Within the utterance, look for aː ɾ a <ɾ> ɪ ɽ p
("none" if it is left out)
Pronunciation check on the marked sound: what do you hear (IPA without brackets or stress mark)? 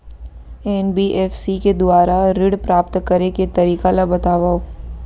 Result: ɾ